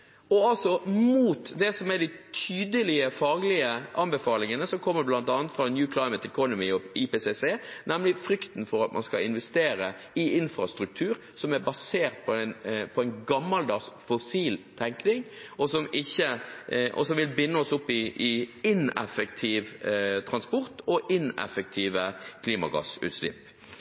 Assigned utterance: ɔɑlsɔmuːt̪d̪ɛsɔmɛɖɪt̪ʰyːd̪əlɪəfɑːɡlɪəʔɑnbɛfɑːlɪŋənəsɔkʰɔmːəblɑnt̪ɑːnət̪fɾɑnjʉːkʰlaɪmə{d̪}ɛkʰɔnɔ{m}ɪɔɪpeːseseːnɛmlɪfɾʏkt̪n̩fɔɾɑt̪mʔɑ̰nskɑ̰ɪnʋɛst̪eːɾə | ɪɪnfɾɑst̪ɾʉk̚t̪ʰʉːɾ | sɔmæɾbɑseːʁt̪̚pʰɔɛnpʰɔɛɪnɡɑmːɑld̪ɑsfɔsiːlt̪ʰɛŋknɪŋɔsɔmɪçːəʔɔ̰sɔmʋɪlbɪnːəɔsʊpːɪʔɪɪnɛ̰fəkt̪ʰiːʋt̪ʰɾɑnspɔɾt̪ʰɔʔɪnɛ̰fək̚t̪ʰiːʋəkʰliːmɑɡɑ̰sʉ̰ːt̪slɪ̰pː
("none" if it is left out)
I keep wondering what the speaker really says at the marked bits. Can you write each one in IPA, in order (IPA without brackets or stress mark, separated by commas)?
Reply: t̪, m